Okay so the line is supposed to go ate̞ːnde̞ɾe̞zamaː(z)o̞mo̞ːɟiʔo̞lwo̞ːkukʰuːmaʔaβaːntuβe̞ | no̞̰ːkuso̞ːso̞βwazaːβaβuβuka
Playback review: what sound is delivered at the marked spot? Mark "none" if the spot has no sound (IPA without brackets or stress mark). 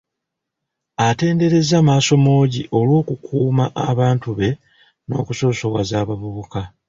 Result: s